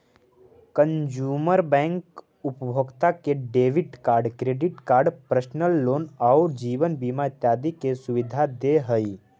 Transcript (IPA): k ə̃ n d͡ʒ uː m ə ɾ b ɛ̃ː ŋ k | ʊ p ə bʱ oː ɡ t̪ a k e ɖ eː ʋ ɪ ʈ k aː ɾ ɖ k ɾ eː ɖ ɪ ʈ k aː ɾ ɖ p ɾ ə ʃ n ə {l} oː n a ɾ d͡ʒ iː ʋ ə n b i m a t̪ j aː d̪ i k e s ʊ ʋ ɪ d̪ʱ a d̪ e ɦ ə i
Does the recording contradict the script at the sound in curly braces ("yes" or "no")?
yes